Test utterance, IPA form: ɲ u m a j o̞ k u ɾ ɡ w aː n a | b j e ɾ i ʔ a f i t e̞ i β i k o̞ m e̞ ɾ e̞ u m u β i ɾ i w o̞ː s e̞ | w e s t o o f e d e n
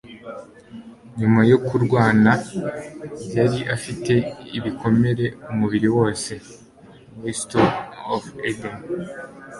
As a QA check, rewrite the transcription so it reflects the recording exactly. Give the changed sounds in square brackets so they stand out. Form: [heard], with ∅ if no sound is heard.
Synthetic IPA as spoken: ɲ u m a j o̞ k u ɾ ɡ w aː n a | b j [a] ɾ i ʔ a f i t e̞ i β i k o̞ m e̞ ɾ e̞ u m u β i ɾ i w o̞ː s e̞ | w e s t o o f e d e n